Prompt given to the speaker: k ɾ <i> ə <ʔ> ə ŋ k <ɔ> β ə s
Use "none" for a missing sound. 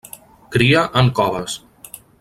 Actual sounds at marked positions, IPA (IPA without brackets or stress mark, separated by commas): i, ʔ, ɔ